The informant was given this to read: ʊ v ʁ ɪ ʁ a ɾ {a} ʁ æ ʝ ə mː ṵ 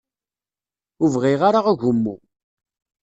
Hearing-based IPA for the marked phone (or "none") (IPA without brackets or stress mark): a